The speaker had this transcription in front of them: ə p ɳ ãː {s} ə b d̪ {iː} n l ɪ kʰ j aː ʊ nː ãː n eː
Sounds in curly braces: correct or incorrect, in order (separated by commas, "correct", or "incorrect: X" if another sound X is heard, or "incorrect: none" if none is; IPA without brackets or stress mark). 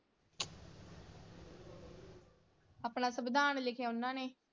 correct, incorrect: aː